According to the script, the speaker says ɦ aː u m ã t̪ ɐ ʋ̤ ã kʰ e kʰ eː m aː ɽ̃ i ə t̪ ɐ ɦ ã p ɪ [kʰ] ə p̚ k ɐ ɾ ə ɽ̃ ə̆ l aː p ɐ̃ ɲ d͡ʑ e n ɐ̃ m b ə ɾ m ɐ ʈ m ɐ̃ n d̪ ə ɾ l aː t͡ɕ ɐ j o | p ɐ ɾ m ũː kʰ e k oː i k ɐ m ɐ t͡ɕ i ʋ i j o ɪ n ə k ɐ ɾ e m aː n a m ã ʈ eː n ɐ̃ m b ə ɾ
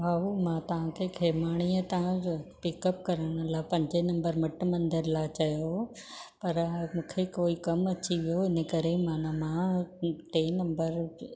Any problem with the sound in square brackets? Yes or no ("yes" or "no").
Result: yes